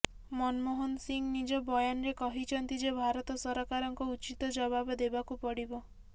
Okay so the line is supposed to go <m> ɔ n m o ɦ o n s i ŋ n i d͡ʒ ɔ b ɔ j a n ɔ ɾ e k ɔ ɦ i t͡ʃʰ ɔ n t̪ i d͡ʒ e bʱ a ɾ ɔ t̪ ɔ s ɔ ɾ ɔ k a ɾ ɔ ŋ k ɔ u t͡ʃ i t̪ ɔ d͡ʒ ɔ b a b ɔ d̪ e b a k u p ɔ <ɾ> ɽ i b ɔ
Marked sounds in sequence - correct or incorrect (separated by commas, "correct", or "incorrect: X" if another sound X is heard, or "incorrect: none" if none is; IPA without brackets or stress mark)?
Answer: correct, incorrect: none